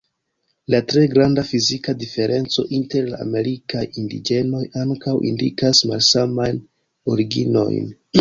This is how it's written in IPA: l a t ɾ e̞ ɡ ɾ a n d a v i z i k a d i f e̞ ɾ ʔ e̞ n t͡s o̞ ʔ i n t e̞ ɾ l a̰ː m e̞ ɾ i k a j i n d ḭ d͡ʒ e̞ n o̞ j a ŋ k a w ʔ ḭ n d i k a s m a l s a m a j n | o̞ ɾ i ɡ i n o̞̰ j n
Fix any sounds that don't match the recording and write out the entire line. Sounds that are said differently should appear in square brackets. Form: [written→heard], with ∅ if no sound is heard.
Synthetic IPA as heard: l a t ɾ e̞ ɡ ɾ a n d a [v→f] i z i k a d i f e̞ ɾ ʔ e̞ n t͡s o̞ ʔ i n t e̞ ɾ l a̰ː m e̞ ɾ i k a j i n d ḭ d͡ʒ e̞ n o̞ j a ŋ k a w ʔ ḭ n d i k a s m a l s a m a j n | o̞ ɾ i ɡ i n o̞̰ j n